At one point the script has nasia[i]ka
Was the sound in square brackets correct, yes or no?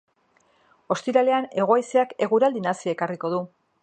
no